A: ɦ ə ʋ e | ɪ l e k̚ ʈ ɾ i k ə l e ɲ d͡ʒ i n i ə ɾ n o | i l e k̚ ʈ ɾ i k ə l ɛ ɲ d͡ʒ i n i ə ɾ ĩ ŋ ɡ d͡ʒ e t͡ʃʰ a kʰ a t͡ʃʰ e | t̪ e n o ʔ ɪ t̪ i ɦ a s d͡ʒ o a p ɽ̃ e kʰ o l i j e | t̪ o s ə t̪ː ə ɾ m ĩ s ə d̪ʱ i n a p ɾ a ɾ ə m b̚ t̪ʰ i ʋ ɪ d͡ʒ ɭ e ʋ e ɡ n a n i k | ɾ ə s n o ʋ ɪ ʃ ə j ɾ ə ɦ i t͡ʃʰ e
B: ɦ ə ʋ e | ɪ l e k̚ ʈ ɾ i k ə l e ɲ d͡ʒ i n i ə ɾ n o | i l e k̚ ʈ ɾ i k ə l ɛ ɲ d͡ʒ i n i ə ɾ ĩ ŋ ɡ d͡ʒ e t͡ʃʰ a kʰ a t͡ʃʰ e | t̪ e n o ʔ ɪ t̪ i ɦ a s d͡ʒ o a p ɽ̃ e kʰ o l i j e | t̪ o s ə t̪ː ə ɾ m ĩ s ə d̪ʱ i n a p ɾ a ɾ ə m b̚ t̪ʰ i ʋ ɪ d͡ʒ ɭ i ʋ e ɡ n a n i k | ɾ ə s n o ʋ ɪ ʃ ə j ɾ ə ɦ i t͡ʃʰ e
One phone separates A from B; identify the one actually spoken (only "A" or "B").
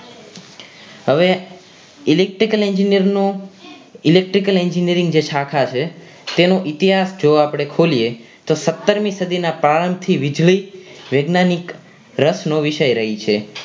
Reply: B